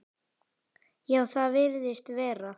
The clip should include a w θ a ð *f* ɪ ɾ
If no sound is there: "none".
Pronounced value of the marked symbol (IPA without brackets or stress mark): v